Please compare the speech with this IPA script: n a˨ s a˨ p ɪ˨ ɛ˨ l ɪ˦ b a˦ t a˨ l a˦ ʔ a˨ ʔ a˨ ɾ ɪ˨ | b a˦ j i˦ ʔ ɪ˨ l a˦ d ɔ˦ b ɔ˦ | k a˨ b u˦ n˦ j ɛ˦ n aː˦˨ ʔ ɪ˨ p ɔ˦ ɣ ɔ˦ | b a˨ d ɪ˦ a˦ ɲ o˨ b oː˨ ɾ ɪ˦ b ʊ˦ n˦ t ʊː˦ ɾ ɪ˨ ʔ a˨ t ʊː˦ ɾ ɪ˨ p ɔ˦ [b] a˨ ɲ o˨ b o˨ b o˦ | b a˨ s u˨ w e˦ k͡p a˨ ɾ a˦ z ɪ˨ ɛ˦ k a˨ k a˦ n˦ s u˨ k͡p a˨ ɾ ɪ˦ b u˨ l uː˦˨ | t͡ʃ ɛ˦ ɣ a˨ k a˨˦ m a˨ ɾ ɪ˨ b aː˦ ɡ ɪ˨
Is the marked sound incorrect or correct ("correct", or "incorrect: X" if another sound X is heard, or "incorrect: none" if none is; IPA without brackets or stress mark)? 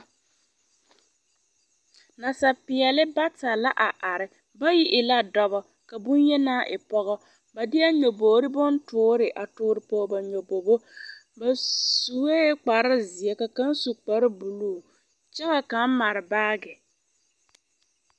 correct